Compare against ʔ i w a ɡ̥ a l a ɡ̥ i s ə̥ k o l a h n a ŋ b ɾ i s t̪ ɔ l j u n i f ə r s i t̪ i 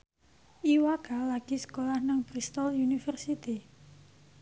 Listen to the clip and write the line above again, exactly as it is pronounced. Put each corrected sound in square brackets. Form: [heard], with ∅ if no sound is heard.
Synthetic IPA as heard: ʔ i w a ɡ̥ a l a ɡ̥ i s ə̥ k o l a h n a ŋ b ɾ i s t̪ ɔ l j u n i f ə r s i t̪ i